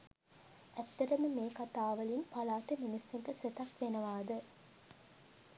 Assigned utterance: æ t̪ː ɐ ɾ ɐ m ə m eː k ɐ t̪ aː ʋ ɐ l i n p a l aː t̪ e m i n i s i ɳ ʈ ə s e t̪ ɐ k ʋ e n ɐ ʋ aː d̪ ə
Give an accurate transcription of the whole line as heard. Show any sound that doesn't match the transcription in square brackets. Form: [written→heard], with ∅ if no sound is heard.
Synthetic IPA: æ t̪ː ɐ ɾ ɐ m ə m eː k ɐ t̪ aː ʋ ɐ l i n p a l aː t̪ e m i n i s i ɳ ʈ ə s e t̪ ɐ k ʋ e n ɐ ʋ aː d̪ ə